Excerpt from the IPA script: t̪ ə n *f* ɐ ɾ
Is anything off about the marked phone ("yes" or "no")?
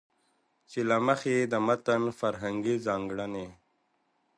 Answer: no